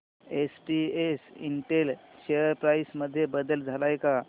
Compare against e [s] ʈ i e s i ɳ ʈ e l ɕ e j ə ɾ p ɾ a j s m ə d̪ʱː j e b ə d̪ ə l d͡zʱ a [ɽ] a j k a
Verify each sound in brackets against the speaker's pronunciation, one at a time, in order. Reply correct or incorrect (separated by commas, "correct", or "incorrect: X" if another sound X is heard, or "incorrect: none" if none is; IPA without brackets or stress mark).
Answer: correct, incorrect: l